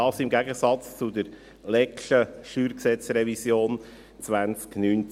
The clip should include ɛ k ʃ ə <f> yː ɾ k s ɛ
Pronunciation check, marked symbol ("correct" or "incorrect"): incorrect